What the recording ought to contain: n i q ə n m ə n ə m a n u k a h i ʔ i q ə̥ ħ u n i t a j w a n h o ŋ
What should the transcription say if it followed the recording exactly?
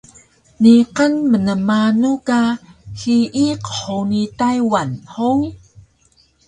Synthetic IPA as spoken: n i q ə n m ə n ə m a n u k a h i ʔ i q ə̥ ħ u n i t a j w a n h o ŋ